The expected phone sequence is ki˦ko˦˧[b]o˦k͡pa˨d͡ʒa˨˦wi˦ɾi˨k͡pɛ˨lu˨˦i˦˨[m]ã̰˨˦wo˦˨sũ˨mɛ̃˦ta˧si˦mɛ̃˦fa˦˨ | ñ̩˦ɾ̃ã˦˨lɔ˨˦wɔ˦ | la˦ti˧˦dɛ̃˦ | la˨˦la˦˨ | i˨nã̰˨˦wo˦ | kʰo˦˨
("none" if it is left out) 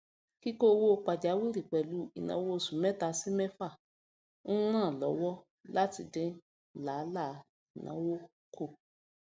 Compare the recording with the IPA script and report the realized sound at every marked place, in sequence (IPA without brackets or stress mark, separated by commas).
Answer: w, n